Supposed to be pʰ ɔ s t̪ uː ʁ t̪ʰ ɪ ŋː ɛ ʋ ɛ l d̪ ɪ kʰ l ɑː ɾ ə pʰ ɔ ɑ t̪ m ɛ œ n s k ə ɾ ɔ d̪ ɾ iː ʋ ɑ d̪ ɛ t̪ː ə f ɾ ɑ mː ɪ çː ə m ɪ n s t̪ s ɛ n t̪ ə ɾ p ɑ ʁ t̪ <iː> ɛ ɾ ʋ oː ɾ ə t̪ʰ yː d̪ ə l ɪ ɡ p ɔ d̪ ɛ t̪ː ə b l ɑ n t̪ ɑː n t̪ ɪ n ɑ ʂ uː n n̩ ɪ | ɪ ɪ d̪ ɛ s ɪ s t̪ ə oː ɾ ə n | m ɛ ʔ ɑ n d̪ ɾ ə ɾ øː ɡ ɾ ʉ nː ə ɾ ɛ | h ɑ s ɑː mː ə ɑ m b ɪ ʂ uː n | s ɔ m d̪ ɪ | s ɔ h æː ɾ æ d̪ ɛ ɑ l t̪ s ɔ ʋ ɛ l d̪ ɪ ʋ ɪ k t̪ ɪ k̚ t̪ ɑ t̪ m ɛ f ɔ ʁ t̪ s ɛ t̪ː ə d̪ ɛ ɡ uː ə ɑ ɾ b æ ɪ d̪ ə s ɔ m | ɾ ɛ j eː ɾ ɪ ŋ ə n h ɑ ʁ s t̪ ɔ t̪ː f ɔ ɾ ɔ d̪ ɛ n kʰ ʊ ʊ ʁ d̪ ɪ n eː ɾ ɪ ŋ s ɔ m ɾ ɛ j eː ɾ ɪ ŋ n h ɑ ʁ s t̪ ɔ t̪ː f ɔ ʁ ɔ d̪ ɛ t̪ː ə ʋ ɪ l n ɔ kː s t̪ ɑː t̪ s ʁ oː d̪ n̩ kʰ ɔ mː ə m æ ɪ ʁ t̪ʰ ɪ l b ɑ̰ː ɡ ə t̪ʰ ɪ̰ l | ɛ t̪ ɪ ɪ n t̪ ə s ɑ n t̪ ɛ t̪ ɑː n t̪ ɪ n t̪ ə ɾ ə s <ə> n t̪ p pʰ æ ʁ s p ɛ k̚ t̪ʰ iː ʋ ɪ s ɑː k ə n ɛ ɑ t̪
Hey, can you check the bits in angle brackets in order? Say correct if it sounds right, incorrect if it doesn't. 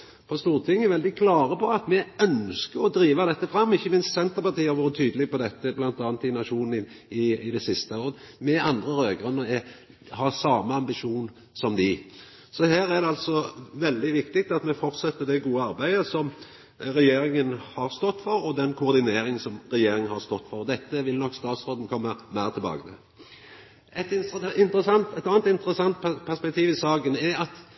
correct, incorrect: ɑ

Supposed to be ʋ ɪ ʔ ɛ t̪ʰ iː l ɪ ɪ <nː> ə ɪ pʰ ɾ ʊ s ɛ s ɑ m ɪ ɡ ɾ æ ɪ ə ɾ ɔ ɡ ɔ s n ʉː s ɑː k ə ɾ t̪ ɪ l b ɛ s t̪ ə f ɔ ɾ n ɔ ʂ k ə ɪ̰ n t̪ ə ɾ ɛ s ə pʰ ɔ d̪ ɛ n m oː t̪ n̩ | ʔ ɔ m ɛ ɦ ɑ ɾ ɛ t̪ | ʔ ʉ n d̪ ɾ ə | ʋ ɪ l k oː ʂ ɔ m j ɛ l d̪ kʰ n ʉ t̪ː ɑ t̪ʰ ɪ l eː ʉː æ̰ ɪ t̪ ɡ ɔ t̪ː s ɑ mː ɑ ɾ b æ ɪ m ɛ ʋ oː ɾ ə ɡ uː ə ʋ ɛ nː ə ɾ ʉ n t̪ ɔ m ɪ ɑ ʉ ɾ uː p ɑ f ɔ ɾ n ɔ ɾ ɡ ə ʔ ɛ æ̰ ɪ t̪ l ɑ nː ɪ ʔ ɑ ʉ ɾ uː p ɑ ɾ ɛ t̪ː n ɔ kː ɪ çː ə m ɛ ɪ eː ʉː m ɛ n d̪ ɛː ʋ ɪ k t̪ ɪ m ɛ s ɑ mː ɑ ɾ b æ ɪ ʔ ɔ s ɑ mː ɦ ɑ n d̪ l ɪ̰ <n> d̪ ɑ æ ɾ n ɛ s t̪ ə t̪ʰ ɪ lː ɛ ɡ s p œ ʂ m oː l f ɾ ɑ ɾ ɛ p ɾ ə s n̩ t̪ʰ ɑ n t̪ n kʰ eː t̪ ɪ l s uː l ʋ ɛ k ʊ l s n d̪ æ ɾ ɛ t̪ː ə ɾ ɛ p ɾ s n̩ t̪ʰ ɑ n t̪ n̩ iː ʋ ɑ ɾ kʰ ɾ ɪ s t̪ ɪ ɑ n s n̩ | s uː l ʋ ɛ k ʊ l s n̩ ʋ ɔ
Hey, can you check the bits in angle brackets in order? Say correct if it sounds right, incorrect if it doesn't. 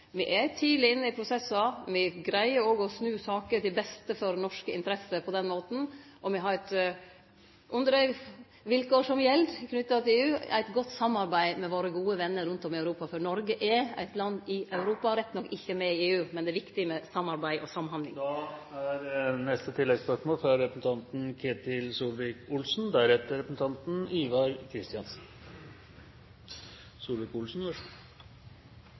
correct, incorrect: ŋ

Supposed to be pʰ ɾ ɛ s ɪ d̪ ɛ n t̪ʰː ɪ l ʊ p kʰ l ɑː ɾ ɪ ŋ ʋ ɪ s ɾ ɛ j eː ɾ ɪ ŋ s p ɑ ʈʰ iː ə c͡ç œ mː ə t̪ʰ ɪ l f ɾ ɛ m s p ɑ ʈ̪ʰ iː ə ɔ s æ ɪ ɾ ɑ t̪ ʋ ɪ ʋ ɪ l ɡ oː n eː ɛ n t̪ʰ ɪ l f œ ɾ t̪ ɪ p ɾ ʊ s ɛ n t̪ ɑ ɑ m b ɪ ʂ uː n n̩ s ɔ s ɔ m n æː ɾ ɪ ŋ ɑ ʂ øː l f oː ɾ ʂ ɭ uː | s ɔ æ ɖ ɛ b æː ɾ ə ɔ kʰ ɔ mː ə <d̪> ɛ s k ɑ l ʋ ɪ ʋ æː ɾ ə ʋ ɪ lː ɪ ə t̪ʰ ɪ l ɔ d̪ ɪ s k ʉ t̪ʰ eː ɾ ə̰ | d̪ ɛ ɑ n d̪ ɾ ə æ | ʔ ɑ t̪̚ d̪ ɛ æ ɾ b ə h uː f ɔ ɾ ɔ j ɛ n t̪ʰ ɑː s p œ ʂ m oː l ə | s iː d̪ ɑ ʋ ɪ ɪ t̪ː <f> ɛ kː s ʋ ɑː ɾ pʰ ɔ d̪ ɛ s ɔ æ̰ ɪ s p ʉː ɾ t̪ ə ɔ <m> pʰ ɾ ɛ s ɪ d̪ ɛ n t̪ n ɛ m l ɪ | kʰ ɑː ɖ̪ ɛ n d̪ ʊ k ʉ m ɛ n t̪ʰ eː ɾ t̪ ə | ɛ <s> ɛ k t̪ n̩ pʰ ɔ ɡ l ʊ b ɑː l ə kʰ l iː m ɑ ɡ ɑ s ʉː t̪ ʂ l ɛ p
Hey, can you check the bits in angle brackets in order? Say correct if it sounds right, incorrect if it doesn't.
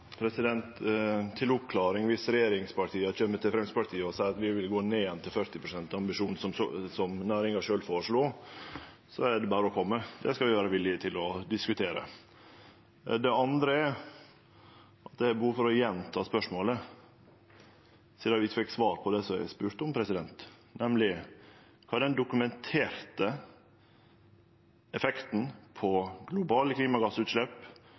correct, correct, correct, incorrect: f

